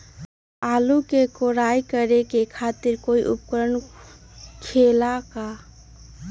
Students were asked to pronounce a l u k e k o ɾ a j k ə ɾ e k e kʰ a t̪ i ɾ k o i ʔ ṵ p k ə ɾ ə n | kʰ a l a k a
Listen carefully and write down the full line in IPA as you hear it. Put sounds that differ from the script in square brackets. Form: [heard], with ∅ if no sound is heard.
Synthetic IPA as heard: a l u k e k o ɾ a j k ə ɾ e k e kʰ a t̪ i ɾ k o i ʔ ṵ p k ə ɾ ə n | kʰ [e] l a k a